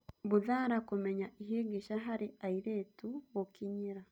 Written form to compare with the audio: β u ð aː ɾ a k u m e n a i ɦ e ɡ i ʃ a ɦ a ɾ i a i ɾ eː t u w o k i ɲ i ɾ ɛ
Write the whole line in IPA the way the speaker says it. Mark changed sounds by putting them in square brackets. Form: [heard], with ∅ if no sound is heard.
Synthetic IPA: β u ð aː ɾ a k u m e [ɲ] a i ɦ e ɡ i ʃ a ɦ a ɾ i a i ɾ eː t u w o k i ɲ i ɾ [a]